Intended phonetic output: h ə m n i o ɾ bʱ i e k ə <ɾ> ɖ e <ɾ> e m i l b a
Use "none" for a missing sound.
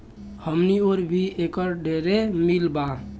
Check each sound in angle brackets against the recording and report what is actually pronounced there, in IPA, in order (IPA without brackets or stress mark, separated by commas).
ɾ, ɾ